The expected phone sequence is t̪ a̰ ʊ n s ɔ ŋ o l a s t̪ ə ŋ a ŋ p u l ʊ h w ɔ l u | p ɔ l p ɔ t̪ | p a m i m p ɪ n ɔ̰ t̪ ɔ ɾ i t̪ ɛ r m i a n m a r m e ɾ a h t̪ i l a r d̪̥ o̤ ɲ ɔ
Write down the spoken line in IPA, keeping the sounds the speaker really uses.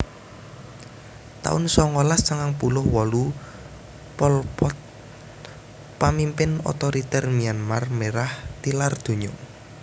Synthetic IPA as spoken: t̪ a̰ ʊ n s ɔ ŋ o l a s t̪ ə ŋ a ŋ p u l ʊ h w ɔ l u | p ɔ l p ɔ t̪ | p a m i m p ɪ n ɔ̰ t̪ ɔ ɾ i t̪ ɛ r m i a n m a r m e ɾ a h t̪ i l a r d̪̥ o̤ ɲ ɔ